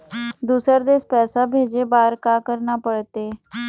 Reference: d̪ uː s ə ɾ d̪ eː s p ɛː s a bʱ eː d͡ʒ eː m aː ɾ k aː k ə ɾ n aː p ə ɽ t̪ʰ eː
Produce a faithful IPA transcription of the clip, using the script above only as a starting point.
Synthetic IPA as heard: d̪ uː s ə ɾ d̪ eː s p ɛː s a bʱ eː d͡ʒ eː b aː ɾ k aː k ə ɾ n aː p ə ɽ t̪ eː